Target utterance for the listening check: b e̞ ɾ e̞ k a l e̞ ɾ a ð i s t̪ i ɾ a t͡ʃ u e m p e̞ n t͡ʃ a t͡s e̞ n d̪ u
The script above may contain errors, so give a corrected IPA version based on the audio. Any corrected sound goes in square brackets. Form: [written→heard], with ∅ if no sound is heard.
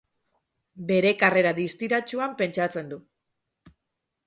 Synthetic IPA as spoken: b e̞ ɾ e̞ k a [l→r] e̞ ɾ a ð i s t̪ i ɾ a t͡ʃ u [e→a] m p e̞ n t͡ʃ a t͡s e̞ n d̪ u